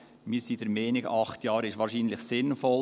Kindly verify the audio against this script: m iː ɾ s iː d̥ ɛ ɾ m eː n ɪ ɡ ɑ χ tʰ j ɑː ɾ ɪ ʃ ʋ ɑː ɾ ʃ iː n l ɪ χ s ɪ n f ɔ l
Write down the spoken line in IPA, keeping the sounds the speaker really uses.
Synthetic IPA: m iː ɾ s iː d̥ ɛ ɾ m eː n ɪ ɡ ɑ χ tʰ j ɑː ɾ ɪ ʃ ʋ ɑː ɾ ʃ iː n l ɪ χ s ɪ n f ɔ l